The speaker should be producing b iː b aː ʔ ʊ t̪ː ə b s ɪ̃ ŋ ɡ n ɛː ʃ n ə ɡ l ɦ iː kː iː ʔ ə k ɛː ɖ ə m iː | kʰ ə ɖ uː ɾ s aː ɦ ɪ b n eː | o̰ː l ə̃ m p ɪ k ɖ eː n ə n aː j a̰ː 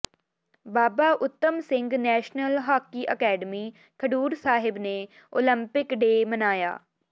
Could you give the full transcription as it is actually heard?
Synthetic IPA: b aː b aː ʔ ʊ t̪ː ə m s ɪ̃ ŋ ɡ n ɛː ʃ n ə l ɦ aː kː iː ʔ ə k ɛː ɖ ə m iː | kʰ ə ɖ uː ɾ s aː ɦ ɪ b n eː | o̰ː l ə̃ m p ɪ k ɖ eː m ə n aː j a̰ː